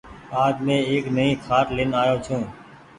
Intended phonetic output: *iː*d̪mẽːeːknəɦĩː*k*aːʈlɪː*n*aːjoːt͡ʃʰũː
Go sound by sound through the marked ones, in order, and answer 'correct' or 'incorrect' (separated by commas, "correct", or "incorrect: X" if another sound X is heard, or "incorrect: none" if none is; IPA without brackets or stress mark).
incorrect: aː, incorrect: kʰ, correct